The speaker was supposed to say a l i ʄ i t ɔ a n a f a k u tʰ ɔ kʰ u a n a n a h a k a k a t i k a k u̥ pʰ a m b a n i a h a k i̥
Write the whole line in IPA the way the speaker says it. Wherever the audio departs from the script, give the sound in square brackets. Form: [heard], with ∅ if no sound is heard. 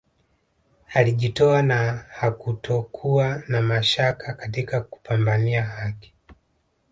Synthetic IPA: a l i ʄ i t ɔ a n a [h] a k u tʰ ɔ kʰ u a n a [m] a [ʃ] a k a k a t i k a k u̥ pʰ a m b a n i a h a k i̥